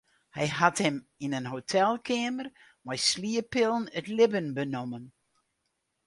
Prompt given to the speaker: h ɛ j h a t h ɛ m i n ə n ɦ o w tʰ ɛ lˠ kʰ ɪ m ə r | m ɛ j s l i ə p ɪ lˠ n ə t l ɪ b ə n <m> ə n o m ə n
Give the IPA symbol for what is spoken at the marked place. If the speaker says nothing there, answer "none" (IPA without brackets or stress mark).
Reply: b